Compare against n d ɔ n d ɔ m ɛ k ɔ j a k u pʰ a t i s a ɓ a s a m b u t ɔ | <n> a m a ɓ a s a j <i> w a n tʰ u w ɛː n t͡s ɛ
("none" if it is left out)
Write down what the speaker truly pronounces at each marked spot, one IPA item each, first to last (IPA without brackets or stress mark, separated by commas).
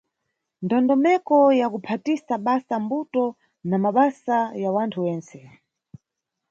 n, a